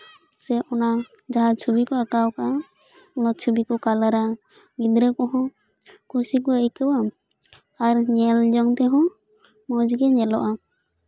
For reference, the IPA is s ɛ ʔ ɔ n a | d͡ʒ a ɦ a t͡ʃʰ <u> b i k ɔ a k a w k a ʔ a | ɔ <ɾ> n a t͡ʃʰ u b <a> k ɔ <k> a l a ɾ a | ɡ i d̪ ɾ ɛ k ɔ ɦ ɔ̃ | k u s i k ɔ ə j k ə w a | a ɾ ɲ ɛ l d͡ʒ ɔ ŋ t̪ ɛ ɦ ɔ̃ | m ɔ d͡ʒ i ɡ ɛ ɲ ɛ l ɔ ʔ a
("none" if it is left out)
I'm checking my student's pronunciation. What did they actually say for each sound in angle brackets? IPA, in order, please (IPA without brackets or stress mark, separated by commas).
u, none, i, k